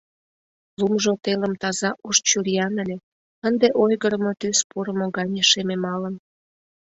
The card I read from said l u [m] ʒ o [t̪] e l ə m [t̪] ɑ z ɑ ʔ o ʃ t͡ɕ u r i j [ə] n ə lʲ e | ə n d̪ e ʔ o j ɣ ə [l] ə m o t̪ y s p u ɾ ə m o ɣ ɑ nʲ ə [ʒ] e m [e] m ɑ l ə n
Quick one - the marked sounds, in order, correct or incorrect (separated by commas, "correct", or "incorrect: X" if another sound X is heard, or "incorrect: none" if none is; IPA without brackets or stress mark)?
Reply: correct, correct, correct, incorrect: ɑ, incorrect: ɾ, incorrect: ʃ, correct